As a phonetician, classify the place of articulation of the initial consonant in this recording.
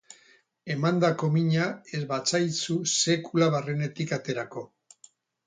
labial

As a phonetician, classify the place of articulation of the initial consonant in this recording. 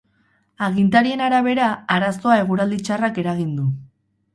velar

